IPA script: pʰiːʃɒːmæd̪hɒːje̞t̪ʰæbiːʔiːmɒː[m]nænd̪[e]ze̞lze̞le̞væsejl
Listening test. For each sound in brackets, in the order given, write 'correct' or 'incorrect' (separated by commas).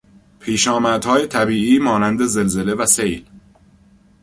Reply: incorrect, correct